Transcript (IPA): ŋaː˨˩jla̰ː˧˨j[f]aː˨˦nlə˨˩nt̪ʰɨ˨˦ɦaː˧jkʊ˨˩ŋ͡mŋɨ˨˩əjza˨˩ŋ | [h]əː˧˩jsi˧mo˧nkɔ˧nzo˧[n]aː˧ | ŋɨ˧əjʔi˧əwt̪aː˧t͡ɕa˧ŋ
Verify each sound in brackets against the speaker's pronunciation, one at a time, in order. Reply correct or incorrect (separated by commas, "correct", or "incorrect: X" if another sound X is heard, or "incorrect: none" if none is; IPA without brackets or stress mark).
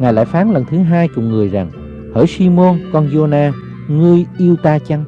correct, correct, correct